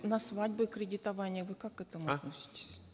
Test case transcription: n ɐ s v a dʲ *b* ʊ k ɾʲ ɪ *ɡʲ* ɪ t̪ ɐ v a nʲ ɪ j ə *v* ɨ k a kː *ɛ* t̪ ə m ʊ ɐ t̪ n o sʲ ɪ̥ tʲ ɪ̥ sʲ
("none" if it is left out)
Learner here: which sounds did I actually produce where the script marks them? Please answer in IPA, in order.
b, dʲ, v, ɛ

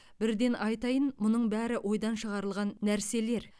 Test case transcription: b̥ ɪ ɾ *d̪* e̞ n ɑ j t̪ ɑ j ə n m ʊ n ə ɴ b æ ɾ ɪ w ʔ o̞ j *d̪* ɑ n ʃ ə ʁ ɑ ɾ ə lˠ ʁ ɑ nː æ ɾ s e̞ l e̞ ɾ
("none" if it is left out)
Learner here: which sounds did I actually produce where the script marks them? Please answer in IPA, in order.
d̪, d̪

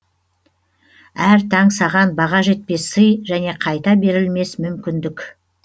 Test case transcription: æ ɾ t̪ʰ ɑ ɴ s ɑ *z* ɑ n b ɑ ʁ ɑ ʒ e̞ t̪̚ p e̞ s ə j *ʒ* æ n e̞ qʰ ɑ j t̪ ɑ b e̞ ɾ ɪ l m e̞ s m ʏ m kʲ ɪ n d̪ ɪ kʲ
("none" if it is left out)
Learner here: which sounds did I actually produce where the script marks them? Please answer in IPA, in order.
ʁ, ʒ

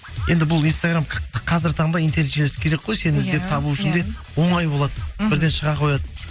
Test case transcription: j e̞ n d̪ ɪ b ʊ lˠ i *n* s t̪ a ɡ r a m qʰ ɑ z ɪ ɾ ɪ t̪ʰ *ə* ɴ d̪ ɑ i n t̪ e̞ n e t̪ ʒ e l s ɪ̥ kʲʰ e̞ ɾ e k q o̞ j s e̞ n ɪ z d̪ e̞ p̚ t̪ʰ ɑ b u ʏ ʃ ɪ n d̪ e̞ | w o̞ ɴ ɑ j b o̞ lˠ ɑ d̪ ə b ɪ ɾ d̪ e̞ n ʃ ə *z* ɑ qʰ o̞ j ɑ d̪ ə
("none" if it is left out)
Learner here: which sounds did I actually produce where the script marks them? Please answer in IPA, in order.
n, ɑ, ʁ

